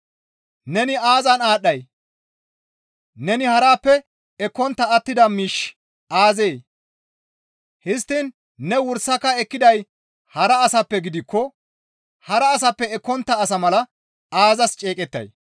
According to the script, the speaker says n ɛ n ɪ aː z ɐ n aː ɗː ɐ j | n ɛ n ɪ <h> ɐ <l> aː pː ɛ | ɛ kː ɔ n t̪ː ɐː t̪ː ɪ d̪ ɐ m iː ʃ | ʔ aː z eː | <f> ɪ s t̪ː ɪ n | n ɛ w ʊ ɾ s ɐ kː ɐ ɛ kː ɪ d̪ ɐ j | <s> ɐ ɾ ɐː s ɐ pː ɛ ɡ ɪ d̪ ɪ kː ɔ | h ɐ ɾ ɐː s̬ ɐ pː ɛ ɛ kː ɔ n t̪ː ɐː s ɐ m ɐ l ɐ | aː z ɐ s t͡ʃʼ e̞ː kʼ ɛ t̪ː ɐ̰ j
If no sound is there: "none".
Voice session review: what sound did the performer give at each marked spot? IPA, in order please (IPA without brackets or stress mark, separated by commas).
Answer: h, ɾ, h, h